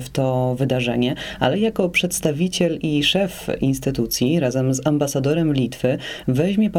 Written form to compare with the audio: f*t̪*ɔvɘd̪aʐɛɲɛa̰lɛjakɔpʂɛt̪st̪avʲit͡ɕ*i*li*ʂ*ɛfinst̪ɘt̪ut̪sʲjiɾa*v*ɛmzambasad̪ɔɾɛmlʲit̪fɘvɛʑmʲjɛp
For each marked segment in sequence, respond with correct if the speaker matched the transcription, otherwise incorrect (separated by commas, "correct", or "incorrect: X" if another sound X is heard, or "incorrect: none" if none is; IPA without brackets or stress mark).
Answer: correct, incorrect: ɛ, correct, incorrect: z